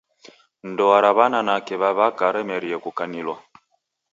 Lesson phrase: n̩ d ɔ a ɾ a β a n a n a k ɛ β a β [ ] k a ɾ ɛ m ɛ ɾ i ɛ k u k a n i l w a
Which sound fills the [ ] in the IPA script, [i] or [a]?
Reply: a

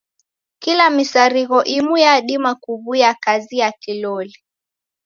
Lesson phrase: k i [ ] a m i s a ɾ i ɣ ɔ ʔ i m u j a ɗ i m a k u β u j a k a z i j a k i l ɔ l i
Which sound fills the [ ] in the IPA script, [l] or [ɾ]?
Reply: l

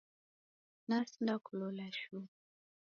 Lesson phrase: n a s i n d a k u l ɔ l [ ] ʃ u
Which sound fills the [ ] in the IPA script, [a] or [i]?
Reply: a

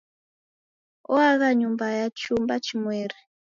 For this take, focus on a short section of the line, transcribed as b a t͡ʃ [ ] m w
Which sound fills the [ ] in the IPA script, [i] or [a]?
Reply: i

